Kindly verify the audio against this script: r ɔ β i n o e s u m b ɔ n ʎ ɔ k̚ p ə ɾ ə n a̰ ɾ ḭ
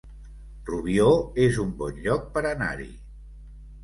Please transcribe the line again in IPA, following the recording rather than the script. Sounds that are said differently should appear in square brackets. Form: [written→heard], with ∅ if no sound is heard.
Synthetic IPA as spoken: r [ɔ→u] β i [n→∅] o e [s→z] u m b ɔ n ʎ ɔ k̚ p ə ɾ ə n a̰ ɾ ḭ